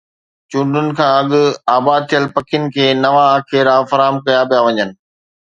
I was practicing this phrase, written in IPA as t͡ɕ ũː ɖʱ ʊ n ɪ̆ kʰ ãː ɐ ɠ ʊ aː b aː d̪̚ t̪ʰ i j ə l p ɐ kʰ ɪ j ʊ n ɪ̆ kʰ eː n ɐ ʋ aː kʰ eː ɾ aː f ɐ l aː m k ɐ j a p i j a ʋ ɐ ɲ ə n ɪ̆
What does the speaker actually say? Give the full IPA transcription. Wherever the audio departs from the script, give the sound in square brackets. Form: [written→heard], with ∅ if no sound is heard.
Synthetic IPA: t͡ɕ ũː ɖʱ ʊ n ɪ̆ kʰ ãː ɐ ɠ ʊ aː b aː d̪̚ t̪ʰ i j ə l p ɐ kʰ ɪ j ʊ n ɪ̆ kʰ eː n ɐ ʋ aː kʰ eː ɾ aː f ɐ [l→ɾ] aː m k ɐ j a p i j a ʋ ɐ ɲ ə n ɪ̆